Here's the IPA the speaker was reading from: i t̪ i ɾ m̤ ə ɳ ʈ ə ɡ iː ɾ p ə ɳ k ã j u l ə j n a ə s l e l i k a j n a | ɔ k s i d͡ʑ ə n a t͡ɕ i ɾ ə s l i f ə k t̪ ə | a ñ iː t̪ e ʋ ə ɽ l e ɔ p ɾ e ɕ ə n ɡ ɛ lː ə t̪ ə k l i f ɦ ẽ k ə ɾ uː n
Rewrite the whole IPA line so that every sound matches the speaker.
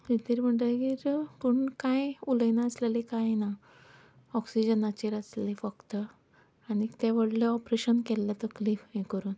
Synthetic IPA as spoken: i t̪ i ɾ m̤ ə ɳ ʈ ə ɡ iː ɾ p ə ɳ k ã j u l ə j n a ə s l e l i k a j n a | ɔ k s i d͡ʑ ə n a t͡ɕ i ɾ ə s l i f ə k t̪ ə | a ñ i t̪ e ʋ ə ɽ l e ɔ p ɾ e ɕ ə n k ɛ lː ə t̪ ə k l i f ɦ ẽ k ə ɾ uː n